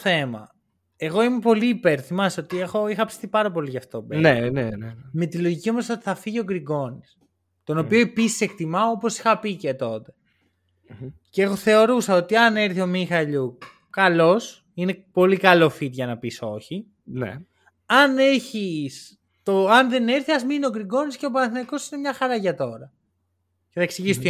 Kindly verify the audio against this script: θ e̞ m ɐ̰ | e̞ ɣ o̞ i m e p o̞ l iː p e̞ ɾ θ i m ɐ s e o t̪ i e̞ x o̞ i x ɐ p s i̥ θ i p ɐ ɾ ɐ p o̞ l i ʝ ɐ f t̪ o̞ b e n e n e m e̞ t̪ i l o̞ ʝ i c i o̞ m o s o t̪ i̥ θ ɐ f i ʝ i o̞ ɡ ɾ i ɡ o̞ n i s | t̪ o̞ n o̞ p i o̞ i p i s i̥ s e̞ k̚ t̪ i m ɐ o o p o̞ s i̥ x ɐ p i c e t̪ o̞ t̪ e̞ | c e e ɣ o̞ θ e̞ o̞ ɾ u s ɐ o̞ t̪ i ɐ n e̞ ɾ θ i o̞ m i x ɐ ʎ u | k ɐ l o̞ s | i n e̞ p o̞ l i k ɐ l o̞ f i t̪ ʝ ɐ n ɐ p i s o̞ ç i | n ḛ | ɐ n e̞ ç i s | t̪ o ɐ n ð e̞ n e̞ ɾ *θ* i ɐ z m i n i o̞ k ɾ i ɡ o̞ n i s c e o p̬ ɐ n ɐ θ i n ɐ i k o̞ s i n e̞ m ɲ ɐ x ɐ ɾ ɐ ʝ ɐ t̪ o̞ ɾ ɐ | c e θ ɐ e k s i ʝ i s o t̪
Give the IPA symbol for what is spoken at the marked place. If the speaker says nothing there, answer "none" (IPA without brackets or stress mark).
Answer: θ